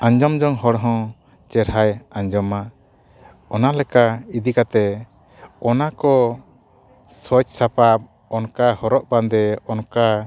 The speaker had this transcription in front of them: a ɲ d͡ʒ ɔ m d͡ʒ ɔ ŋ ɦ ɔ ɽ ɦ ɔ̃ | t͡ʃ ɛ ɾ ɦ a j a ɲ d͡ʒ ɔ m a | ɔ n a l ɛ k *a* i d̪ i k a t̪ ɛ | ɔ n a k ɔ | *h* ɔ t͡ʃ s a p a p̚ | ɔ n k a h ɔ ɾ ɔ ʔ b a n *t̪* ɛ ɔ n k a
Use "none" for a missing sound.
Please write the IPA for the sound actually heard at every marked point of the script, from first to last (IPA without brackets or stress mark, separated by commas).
a, s, d̪